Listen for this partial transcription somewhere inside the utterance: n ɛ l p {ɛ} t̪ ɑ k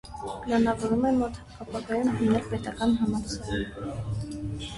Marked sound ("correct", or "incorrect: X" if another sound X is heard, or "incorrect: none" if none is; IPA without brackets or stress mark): correct